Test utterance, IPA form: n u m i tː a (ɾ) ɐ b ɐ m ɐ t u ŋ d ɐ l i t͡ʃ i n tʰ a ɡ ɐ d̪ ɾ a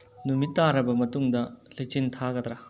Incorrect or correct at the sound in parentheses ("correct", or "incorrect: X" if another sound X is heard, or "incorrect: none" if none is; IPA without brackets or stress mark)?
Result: correct